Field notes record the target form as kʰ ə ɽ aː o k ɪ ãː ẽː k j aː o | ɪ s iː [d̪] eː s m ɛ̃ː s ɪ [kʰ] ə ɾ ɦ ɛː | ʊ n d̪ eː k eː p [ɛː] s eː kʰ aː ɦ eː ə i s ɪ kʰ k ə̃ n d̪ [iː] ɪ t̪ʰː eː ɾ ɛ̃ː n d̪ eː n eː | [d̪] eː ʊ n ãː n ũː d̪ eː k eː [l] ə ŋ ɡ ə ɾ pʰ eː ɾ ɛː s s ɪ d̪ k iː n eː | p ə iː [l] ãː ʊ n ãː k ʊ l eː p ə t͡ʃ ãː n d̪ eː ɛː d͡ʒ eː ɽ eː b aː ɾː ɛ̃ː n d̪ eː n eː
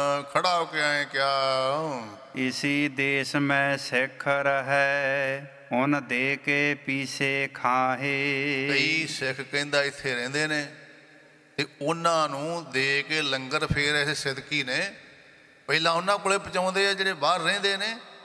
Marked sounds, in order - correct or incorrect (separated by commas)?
correct, correct, incorrect, incorrect, incorrect, correct, correct